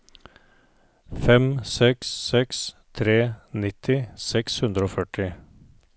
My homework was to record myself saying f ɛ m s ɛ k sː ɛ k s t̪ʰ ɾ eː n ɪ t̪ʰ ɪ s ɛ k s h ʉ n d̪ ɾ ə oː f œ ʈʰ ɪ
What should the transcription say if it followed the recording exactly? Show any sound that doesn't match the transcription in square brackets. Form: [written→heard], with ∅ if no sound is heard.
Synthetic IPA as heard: f ɛ m s ɛ k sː ɛ k s t̪ʰ ɾ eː n ɪ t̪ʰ ɪ s ɛ k s h ʉ n d̪ ɾ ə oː f œ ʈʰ ɪ